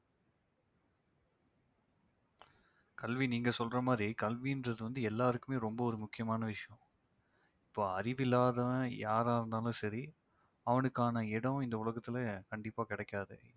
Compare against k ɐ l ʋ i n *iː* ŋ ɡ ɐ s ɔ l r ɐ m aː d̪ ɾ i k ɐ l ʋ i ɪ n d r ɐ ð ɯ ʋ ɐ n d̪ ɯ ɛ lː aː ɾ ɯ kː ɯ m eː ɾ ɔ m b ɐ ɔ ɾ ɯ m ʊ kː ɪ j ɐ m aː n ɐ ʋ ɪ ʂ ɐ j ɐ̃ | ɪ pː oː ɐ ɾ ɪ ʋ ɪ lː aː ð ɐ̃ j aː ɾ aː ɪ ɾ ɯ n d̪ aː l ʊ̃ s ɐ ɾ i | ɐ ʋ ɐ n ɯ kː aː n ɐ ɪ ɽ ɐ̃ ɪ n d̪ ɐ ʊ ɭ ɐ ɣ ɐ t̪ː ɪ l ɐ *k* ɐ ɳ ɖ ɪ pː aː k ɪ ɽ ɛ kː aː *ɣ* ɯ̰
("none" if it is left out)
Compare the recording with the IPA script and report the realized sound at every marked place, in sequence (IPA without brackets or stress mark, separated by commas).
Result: iː, k, ð